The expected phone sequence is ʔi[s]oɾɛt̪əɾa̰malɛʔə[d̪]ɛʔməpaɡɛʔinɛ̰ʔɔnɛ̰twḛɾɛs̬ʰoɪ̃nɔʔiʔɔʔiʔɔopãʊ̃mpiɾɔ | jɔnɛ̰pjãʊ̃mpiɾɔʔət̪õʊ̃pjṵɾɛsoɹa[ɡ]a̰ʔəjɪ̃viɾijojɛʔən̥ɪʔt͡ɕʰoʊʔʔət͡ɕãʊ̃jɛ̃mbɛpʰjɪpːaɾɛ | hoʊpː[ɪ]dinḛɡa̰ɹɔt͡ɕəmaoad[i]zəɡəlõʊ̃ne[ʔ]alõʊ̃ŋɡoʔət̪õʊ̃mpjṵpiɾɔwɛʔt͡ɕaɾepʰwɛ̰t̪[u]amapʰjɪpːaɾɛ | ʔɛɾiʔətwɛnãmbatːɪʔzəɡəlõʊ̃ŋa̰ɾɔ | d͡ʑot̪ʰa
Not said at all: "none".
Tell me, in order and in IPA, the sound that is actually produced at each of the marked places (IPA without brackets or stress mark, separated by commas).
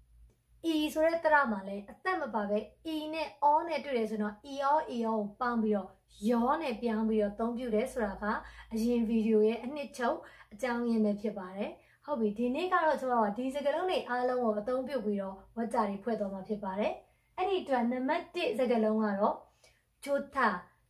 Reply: s, t̪, ɡ, i, i, ʔ, w